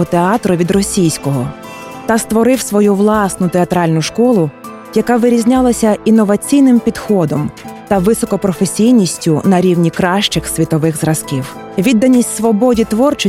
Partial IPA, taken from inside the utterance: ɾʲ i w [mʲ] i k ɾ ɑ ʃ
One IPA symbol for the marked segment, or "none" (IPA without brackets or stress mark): nʲ